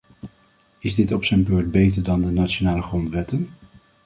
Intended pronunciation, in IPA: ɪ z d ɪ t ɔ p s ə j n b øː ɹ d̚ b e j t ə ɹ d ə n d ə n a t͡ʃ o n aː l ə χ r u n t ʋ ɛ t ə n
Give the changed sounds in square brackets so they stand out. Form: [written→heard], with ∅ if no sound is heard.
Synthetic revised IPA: ɪ z d ɪ t ɔ p s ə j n b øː ɹ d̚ b e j t ə ɹ d [ə→ɑ] n d ə n a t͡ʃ o n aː l ə χ r [u→ɔ] n t ʋ ɛ t ə n